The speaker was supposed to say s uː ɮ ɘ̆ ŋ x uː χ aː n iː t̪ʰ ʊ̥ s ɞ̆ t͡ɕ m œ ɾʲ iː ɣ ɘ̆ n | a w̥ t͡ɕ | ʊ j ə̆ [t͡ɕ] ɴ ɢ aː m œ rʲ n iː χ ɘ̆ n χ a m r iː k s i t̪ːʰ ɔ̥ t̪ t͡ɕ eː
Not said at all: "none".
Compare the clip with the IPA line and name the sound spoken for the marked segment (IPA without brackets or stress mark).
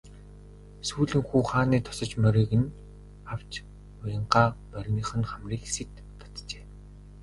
none